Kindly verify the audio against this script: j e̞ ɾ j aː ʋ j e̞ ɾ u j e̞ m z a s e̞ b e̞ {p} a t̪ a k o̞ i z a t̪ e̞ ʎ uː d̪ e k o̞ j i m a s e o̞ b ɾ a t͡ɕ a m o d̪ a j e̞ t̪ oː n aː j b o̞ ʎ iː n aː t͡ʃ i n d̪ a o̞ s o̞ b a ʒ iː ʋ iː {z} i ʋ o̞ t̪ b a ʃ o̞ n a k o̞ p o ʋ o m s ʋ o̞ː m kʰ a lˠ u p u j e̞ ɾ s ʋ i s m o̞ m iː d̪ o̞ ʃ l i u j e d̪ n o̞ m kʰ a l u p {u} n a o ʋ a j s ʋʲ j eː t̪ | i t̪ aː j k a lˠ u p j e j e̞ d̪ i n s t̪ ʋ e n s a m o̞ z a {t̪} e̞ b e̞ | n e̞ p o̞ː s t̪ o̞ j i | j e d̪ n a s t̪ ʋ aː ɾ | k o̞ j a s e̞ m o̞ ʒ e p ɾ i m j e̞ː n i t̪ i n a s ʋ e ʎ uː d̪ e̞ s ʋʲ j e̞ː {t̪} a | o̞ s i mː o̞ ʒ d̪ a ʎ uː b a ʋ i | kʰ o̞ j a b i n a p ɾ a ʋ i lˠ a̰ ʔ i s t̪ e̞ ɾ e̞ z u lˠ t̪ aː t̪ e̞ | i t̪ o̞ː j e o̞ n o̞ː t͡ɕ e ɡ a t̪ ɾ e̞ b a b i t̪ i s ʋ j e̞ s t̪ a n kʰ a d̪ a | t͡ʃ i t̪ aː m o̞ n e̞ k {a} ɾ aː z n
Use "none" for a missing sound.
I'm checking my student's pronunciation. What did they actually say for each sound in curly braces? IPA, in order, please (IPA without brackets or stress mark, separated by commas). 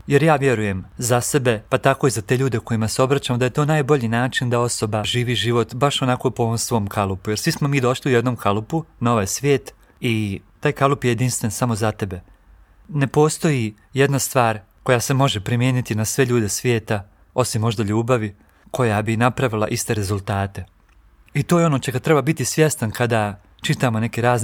p, ʒ, u, t̪, t̪, e